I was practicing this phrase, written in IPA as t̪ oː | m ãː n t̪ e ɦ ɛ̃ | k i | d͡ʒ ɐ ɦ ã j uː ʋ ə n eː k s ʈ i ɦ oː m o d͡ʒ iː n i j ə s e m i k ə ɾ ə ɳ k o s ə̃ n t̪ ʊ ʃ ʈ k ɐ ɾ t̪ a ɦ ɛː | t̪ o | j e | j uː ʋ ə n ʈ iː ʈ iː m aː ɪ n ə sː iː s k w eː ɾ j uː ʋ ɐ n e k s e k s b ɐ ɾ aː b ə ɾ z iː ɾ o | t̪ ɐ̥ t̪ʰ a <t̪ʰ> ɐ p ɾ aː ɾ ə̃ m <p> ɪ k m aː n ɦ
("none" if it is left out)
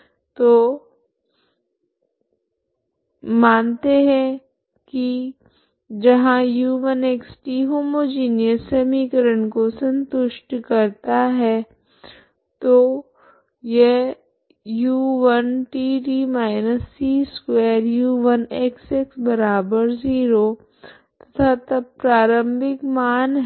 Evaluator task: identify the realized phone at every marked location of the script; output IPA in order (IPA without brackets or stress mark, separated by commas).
t̪, b